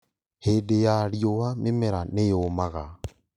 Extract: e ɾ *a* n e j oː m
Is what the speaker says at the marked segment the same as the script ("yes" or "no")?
yes